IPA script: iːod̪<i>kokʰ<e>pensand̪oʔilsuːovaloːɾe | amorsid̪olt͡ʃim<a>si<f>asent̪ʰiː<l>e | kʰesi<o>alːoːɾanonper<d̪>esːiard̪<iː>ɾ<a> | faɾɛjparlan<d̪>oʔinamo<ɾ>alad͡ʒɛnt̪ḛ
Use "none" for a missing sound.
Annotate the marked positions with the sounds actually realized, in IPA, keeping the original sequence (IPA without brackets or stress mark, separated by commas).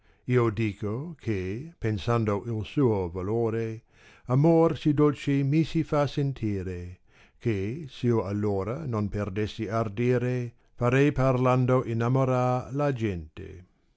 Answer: iː, e, i, f, ɾ, o, d̪, iː, e, d̪, ɾ